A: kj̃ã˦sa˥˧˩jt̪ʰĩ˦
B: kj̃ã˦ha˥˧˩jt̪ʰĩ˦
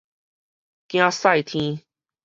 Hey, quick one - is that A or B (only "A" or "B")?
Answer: A